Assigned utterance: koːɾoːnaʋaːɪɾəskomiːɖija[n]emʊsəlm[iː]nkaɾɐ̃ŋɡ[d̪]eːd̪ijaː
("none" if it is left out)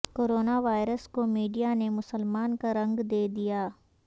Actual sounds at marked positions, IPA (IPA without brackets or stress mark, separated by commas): n, aː, d̪